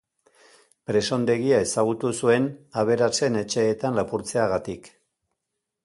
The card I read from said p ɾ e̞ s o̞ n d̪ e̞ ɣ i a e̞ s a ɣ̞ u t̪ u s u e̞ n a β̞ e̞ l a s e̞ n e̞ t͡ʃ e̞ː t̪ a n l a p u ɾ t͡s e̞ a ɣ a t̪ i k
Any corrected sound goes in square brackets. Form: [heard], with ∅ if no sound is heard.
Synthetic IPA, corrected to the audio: p ɾ e̞ s o̞ n d̪ e̞ ɣ i a e̞ s a ɣ̞ u t̪ u s u e̞ n a β̞ e̞ [ɾ] a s e̞ n e̞ t͡ʃ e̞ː t̪ a n l a p u ɾ t͡s e̞ a ɣ a t̪ i k

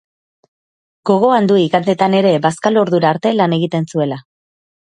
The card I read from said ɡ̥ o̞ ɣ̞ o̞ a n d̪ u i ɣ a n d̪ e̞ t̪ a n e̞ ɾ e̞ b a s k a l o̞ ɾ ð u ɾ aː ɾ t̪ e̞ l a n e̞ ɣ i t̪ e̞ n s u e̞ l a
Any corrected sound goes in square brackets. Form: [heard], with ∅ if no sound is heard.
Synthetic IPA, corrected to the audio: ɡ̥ o̞ ɣ̞ o̞ a n d̪ u i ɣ a n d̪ e̞ t̪ a n e̞ ɾ e̞ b a s k a l o̞ ɾ ð u ɾ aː ɾ t̪ e̞ l a n e̞ ɣ i t̪ e̞ n s u e̞ l a

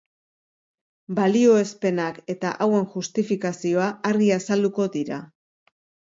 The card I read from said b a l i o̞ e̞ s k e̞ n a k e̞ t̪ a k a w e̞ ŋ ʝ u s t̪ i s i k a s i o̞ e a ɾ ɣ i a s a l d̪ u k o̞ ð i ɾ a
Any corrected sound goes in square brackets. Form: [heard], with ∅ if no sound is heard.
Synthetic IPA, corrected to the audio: b a l i o̞ e̞ s [p] e̞ n a k e̞ t̪ a [ʔ] a w e̞ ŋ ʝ u s t̪ i [f] i k a s i o̞ [a] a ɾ ɣ i a s a l d̪ u k o̞ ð i ɾ a

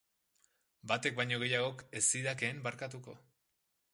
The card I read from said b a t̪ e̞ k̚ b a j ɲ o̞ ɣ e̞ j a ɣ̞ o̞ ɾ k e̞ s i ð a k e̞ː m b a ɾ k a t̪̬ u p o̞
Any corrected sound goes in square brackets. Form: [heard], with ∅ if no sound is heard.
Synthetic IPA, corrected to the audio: b a t̪ e̞ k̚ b a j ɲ o̞ ɣ e̞ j a ɣ̞ o̞ [∅] k e̞ s i ð a k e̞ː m b a ɾ k a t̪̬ u [k] o̞

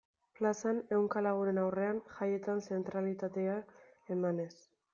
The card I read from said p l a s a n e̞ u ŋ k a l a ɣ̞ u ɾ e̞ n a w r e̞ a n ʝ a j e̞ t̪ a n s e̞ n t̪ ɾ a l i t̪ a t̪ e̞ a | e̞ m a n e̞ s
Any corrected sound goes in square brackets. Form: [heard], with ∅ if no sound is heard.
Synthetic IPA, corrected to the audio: p l a s a n e̞ [w] ŋ k a l a ɣ̞ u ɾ e̞ n a w r e̞ a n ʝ a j e̞ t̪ a n s e̞ n t̪ ɾ a l i t̪ a t̪ e̞ a | e̞ m a n e̞ s

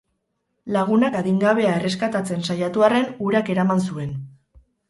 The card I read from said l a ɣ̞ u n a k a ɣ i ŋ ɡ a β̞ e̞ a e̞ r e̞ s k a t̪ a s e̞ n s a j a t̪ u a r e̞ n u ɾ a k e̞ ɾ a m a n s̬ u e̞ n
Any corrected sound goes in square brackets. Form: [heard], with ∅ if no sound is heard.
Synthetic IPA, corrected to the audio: l a ɣ̞ u n a k a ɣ i ŋ ɡ a β̞ e̞ a e̞ r e̞ s k a t̪ a [t͡s] e̞ n s a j a t̪ u a r e̞ n u ɾ a k e̞ ɾ a m a n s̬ u e̞ n

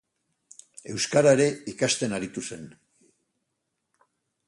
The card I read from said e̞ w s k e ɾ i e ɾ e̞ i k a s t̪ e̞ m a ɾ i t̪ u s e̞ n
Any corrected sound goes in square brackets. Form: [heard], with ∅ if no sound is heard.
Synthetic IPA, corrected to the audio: e̞ w s k [a] ɾ [a] e ɾ e̞ i k a s t̪ e̞ [n] a ɾ i t̪ u s e̞ n

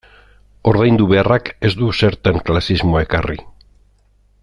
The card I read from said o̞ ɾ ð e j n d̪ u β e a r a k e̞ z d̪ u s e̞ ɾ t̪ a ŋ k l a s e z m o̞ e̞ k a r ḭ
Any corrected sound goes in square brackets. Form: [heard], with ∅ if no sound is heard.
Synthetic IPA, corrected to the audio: o̞ ɾ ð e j n d̪ u β e a r a k e̞ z d̪ u s e̞ ɾ t̪ a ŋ k l a s [i] z m o̞ e̞ k a r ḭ

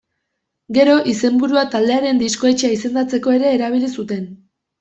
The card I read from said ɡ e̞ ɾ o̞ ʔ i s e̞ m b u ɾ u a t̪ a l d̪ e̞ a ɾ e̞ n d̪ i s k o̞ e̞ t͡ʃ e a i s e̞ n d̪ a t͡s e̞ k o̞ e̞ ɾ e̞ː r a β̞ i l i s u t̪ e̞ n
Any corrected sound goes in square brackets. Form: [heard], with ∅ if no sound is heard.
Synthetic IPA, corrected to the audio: ɡ e̞ ɾ o̞ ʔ i s e̞ m b u ɾ u a t̪ a l d̪ e̞ a ɾ e̞ n d̪ i s k o̞ e̞ t͡ʃ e a i s e̞ n d̪ a t͡s e̞ k o̞ e̞ ɾ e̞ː [ɾ] a β̞ i l i s u t̪ e̞ n

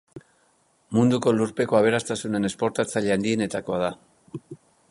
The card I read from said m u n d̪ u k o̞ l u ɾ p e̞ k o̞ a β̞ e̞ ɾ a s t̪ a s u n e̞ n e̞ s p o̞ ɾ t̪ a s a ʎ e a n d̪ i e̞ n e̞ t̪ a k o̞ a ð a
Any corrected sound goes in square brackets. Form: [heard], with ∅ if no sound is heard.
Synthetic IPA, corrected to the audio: m u n d̪ u k o̞ l u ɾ p e̞ k o̞ a β̞ e̞ ɾ a s t̪ a s u n e̞ n e̞ s p o̞ ɾ t̪ a [t͡s] a ʎ e a n d̪ i e̞ n e̞ t̪ a k o̞ a ð a

